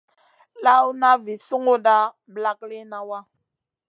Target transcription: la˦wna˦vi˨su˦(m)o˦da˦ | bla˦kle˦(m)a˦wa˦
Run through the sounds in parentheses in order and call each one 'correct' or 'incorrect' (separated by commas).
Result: incorrect, incorrect